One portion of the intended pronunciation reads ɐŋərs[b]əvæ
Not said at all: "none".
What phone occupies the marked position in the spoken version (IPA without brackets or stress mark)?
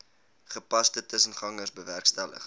b